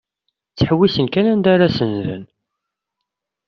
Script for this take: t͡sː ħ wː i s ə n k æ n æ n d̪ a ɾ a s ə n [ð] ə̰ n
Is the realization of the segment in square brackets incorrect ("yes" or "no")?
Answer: no